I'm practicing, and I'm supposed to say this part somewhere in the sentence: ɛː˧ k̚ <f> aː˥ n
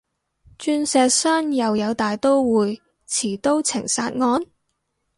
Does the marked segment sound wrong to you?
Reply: yes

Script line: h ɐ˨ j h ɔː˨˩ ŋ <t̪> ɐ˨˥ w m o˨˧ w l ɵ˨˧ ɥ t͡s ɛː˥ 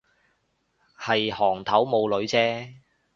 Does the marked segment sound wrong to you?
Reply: yes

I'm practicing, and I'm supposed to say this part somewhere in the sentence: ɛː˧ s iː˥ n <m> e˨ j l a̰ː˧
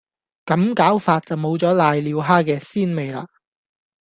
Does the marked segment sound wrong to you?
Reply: no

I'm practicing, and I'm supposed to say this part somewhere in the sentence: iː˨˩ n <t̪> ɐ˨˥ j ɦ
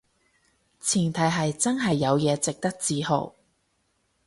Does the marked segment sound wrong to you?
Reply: yes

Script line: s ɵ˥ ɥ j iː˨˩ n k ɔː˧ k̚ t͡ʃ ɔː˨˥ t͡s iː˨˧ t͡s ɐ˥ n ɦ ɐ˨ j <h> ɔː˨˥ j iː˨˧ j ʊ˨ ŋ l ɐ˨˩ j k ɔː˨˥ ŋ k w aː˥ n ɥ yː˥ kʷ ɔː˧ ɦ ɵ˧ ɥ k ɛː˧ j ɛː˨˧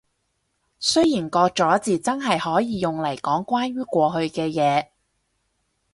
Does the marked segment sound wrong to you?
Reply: no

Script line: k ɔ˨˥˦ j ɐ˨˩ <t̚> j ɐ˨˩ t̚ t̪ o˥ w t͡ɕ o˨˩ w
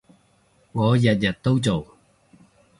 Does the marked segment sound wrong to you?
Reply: no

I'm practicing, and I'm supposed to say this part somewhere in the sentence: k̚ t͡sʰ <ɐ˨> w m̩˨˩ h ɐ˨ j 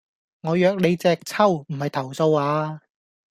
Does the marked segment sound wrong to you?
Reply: yes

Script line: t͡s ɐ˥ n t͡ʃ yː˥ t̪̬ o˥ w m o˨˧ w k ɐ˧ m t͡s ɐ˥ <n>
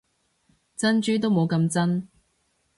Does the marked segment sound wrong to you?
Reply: no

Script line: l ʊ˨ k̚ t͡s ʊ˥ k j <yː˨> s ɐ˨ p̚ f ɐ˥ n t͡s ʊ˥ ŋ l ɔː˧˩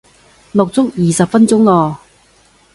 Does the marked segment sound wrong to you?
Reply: yes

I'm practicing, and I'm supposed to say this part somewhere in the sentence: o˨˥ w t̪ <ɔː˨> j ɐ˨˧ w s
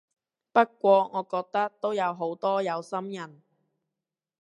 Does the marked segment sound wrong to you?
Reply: yes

